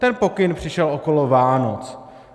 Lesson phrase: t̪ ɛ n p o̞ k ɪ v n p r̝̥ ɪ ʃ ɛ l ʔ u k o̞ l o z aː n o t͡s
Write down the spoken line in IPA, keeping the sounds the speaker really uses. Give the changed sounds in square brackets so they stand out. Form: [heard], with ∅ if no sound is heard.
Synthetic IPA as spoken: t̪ ɛ n p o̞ k ɪ [∅] n p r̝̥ ɪ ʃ ɛ l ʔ [o] k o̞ l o [v] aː n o t͡s

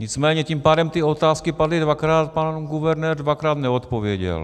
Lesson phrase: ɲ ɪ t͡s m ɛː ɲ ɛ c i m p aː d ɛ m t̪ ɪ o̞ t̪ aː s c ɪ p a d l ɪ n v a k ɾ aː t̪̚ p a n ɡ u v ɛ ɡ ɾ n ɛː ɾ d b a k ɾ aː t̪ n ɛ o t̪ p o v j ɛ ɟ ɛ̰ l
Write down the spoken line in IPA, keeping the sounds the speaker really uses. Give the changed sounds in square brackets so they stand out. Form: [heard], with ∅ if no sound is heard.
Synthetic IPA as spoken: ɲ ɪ t͡s m ɛː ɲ ɛ c i m p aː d ɛ m t̪ ɪ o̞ t̪ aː s [k] ɪ p a d l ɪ [d] v a k ɾ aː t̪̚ p a n ɡ u v ɛ [∅] ɾ n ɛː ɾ d [v] a k ɾ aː t̪ n ɛ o t̪ p o v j ɛ ɟ ɛ̰ l

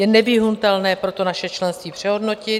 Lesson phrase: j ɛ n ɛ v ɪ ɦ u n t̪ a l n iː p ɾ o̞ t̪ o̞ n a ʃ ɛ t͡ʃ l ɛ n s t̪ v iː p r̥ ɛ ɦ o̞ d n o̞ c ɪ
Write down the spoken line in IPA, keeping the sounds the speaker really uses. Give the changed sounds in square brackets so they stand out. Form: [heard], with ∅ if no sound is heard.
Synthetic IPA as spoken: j ɛ n ɛ v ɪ ɦ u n t̪ [ɛ] l n [ɛː] p ɾ o̞ t̪ o̞ n a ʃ ɛ t͡ʃ l ɛ n s t̪ v iː p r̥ ɛ ɦ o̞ d n o̞ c ɪ

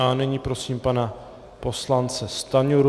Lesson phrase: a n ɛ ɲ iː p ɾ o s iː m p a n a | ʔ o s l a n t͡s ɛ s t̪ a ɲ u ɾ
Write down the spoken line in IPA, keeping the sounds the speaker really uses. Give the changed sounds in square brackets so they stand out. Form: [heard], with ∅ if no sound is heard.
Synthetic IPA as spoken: a n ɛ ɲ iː p ɾ o s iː m p a n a | [p] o s l a n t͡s ɛ s t̪ a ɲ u ɾ

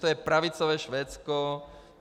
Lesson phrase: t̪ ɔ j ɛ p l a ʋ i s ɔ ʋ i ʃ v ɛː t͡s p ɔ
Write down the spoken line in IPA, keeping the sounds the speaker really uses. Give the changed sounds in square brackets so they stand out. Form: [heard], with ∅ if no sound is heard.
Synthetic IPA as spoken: t̪ ɔ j ɛ p [ɾ] a ʋ i [t͡s] ɔ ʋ [ɛ] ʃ [ʋ] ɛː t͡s [k] ɔ

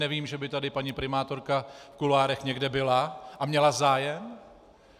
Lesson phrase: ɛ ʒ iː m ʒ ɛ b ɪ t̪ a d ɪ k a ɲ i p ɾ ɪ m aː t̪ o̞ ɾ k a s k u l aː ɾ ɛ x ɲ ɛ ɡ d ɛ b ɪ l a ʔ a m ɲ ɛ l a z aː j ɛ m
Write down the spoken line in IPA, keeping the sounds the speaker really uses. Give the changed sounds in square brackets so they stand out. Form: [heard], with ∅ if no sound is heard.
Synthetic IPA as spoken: ɛ [v] iː m ʒ ɛ b ɪ t̪ a d ɪ [p] a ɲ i p ɾ ɪ m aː t̪ o̞ ɾ k a [f] k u l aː ɾ ɛ x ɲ ɛ ɡ d ɛ b ɪ l a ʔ a m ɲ ɛ l a z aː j ɛ m

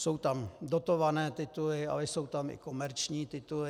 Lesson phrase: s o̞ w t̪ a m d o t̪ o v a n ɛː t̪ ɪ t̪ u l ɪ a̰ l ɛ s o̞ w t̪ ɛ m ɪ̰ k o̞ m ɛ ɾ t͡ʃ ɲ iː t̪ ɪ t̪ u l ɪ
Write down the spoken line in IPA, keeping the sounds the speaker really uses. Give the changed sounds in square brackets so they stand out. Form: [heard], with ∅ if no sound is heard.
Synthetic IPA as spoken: s o̞ w t̪ a m d o t̪ o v a n ɛː t̪ ɪ t̪ u l ɪ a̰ l ɛ s o̞ w t̪ [a] m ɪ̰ k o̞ m ɛ ɾ t͡ʃ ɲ iː t̪ ɪ t̪ u l ɪ

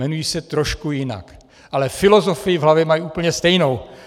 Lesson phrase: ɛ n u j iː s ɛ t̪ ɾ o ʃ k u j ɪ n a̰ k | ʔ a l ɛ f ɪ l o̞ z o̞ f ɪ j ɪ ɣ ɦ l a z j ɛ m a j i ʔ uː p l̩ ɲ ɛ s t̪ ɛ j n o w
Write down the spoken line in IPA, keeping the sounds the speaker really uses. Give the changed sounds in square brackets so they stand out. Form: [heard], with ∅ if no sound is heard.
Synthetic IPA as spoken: ɛ n u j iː s ɛ t̪ ɾ o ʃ k u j ɪ n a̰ k | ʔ a l ɛ f ɪ l o̞ z o̞ f ɪ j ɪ [v] ɦ l a [v] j ɛ m a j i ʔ uː p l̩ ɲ ɛ s t̪ ɛ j n o w

